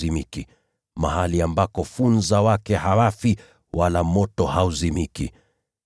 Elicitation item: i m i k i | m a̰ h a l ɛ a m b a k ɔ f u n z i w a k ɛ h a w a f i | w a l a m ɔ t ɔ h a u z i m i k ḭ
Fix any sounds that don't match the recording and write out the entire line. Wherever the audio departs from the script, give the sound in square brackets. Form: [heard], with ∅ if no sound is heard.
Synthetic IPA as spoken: i m i k i | m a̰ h a l [i] a m b a k ɔ f u n z [a] w a k ɛ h a w a f i | w a l a m ɔ t ɔ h a u z i m i k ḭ